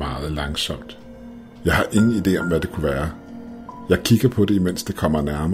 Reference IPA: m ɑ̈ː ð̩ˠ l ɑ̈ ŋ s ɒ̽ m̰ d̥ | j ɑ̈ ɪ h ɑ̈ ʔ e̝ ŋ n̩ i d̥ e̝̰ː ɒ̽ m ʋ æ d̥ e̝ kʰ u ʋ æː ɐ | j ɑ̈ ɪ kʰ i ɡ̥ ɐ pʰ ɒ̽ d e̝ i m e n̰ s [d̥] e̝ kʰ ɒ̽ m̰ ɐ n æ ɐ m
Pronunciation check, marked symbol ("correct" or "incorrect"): correct